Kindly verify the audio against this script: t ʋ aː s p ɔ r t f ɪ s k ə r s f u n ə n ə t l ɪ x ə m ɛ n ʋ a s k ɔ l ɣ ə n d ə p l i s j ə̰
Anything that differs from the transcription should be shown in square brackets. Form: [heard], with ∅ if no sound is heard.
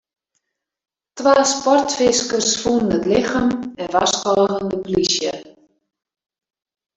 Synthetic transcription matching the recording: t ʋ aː s p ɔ r t f ɪ s k ə r s f u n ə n ə t l ɪ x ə m ɛ n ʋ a s k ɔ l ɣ ə n d ə p l i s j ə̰